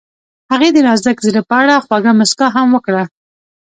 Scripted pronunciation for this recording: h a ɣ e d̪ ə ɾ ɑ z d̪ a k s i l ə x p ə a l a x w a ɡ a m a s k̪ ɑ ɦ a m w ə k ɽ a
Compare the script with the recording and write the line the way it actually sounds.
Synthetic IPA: h a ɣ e d̪ ə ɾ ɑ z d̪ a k z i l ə p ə a ɽ a x w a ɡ a m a s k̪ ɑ ɦ a m w ə k ɽ a